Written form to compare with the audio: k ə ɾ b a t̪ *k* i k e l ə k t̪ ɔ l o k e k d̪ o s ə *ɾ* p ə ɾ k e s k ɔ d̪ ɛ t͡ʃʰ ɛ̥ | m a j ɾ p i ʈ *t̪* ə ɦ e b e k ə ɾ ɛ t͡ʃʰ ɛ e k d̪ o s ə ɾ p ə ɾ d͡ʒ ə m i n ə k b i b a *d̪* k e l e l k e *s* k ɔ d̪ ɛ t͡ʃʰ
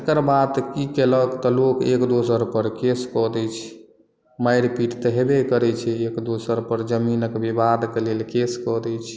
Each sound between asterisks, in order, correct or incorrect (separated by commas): correct, correct, correct, correct, correct